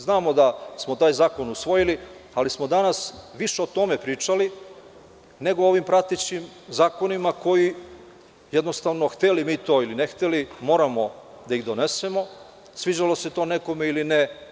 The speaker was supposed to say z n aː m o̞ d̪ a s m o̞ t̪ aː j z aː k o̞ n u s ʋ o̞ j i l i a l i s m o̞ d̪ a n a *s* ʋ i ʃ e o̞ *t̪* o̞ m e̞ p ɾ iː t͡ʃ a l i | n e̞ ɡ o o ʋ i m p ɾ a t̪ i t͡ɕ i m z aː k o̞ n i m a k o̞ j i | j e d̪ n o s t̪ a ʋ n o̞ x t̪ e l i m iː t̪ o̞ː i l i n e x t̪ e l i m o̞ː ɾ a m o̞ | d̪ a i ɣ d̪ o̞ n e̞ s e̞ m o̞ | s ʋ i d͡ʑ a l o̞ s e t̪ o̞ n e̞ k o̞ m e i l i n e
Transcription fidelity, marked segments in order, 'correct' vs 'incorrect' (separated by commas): correct, correct